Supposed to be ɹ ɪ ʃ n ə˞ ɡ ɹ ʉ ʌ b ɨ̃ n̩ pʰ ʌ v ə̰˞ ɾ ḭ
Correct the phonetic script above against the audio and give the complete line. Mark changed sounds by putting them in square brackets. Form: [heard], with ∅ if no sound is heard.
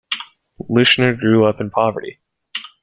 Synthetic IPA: [l] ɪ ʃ n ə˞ ɡ ɹ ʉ ʌ [p] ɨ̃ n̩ pʰ [ɑ] v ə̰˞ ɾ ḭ